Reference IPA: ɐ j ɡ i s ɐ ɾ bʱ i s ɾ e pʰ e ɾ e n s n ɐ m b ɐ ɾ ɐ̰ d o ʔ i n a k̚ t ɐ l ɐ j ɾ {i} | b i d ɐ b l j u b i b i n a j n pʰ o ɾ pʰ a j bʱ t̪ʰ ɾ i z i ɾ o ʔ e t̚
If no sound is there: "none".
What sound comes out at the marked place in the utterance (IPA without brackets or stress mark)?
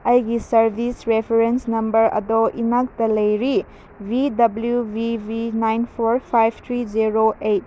i